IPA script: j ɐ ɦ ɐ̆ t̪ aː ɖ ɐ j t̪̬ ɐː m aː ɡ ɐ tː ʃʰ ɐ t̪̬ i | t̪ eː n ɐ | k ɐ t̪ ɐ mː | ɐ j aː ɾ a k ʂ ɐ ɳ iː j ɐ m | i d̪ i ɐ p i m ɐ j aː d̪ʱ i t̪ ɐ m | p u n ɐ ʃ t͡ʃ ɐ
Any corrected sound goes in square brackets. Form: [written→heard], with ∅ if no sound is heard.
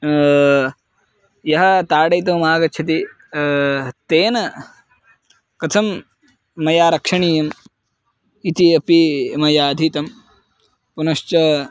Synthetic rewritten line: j ɐ ɦ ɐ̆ t̪ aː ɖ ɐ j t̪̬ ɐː m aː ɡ ɐ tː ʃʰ ɐ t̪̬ i | t̪ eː n ɐ | k ɐ [t̪→t̪ʰ] ɐ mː | ɐ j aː ɾ [a→ɐ] k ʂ ɐ ɳ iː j ɐ m | i [d̪→t̪] i ɐ p i m ɐ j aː d̪ʱ i t̪ ɐ m | p u n ɐ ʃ t͡ʃ ɐ